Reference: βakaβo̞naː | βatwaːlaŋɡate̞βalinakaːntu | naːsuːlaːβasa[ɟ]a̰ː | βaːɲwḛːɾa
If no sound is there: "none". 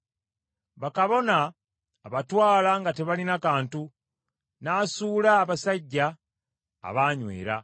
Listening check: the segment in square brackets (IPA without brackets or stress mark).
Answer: ɟː